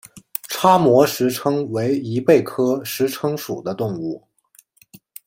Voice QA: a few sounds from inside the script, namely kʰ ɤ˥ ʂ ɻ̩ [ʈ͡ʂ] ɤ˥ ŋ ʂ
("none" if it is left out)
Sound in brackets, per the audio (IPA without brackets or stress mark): ʈ͡ʂʰ